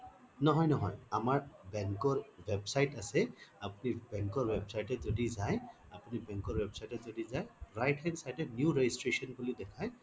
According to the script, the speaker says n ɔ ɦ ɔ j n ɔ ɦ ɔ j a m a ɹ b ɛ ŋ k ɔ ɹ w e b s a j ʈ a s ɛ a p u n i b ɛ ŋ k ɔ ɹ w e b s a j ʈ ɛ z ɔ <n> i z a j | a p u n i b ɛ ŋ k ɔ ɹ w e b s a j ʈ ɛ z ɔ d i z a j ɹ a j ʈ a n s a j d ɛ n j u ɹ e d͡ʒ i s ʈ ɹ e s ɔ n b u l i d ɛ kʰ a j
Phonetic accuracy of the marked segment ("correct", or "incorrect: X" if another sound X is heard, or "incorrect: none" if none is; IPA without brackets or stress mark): incorrect: d